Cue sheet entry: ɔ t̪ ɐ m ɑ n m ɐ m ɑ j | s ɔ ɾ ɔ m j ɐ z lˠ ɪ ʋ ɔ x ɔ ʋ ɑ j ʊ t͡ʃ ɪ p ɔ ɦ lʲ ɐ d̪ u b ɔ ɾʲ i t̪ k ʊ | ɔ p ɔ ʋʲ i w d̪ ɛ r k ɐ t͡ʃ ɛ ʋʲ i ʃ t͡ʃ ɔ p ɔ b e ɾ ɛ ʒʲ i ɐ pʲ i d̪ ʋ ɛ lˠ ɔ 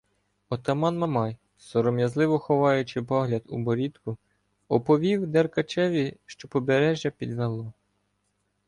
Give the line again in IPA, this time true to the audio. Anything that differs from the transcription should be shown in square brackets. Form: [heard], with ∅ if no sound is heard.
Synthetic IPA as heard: ɔ t̪ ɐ m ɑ n m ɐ m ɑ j | s ɔ ɾ ɔ m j ɐ z lˠ ɪ ʋ ɔ x ɔ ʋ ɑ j ʊ t͡ʃ ɪ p ɔ ɦ lʲ ɐ d̪ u b ɔ ɾʲ i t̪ k ʊ | ɔ p ɔ ʋʲ i w d̪ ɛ r k ɐ t͡ʃ ɛ ʋʲ i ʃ t͡ʃ ɔ p ɔ b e ɾ ɛ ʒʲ [j] ɐ pʲ i d̪ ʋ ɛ lˠ ɔ

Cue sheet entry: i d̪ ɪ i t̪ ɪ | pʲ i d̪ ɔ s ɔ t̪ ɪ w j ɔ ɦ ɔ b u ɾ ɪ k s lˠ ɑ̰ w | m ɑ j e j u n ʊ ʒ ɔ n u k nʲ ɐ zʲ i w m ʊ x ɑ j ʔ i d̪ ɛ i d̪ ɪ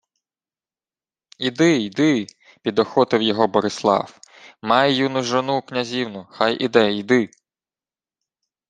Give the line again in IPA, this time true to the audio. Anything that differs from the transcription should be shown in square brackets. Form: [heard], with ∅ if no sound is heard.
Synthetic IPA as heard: i d̪ ɪ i [d̪] ɪ | pʲ i d̪ ɔ [x] ɔ t̪ ɪ w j ɔ ɦ ɔ b [ɔ] ɾ ɪ [∅] s lˠ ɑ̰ w | m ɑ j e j u n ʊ ʒ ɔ n u k nʲ ɐ zʲ i w [n] ʊ x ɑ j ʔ i d̪ ɛ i d̪ ɪ

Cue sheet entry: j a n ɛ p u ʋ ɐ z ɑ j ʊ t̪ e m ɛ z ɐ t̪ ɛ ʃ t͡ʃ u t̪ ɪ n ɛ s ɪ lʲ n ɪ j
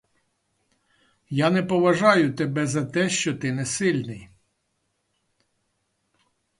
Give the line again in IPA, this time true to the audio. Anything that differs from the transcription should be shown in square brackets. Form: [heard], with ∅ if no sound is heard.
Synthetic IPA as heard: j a n ɛ p [ɔ] ʋ ɐ [ʒ] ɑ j ʊ t̪ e [b] ɛ z ɐ t̪ ɛ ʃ t͡ʃ [ɔ] t̪ ɪ n ɛ s ɪ lʲ n ɪ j

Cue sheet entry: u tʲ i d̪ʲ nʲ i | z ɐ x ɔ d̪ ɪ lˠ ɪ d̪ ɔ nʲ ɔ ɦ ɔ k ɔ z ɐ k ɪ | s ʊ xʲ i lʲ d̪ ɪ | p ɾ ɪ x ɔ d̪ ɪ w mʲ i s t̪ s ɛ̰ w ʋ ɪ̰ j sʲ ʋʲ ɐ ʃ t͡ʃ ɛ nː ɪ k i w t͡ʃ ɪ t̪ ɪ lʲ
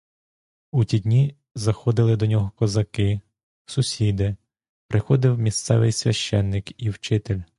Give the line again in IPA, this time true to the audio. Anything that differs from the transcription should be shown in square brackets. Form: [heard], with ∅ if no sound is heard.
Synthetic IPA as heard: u tʲ i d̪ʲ nʲ i | z ɐ x ɔ d̪ ɪ lˠ ɪ d̪ ɔ nʲ ɔ ɦ ɔ k ɔ z ɐ k ɪ | s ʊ [sʲ] i [∅] d̪ ɪ | p ɾ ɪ x ɔ d̪ ɪ w mʲ i s t̪ s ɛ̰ [∅] ʋ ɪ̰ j sʲ ʋʲ ɐ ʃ t͡ʃ ɛ nː ɪ k i w t͡ʃ ɪ t̪ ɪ lʲ

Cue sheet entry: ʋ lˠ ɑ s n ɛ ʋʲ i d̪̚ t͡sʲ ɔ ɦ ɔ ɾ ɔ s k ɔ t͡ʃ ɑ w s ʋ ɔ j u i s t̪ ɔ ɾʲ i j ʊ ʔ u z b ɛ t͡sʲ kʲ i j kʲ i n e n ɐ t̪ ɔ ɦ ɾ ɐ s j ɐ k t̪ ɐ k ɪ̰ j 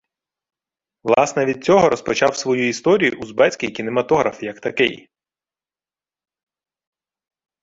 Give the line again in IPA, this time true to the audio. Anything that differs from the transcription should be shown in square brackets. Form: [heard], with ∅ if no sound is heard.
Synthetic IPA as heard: ʋ lˠ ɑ s n ɛ ʋʲ i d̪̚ t͡sʲ ɔ ɦ ɔ ɾ ɔ s [p] ɔ t͡ʃ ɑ w s ʋ ɔ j u i s t̪ ɔ ɾʲ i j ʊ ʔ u z b ɛ t͡sʲ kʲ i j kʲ i n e [m] ɐ t̪ ɔ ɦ ɾ ɐ [f] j ɐ k t̪ ɐ k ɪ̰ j

